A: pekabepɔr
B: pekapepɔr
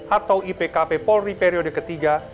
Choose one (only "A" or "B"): B